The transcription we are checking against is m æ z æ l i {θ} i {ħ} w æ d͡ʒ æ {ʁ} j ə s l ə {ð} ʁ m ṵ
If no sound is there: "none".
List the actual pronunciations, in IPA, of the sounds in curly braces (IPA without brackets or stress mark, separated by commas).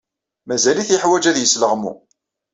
θ, ħ, ð, none